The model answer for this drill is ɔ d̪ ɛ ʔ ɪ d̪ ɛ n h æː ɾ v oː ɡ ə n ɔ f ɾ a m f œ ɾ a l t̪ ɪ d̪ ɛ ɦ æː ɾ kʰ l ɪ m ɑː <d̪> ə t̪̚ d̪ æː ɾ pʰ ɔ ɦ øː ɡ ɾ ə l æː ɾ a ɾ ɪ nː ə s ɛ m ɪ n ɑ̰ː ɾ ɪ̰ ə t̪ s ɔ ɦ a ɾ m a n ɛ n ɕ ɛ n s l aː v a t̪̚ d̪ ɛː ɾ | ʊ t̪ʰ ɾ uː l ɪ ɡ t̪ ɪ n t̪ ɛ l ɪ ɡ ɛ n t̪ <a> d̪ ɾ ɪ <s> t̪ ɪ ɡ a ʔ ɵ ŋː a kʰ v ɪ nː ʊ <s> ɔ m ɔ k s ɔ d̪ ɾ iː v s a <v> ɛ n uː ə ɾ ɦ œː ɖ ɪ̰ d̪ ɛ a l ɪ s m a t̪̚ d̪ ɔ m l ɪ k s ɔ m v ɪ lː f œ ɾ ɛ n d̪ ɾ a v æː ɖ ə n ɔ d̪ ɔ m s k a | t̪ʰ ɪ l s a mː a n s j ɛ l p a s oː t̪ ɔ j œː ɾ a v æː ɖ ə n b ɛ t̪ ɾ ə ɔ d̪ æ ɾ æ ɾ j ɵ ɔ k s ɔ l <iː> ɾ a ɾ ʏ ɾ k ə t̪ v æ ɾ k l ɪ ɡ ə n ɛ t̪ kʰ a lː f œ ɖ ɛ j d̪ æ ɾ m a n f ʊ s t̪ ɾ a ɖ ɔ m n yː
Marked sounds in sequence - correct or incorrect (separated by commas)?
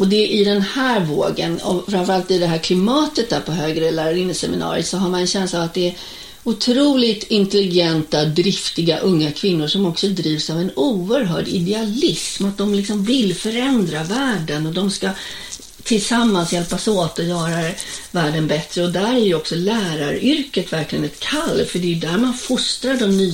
incorrect, correct, incorrect, incorrect, correct, incorrect